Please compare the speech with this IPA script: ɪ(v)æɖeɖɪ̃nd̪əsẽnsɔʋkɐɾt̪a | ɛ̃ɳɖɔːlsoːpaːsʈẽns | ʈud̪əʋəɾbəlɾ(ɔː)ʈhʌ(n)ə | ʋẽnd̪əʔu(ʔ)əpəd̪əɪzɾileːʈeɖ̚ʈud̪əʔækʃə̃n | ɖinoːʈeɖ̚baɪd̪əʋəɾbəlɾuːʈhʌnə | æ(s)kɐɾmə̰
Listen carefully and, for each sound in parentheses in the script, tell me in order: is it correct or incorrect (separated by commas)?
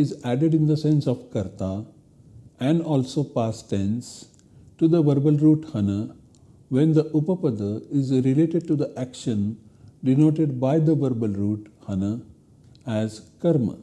incorrect, incorrect, correct, incorrect, incorrect